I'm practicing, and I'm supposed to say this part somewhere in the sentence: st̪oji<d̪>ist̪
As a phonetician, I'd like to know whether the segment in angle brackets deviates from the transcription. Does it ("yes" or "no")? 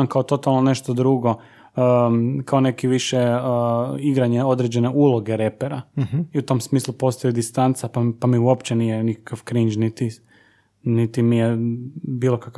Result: no